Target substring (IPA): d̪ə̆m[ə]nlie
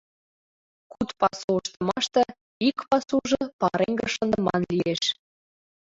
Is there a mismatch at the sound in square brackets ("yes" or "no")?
yes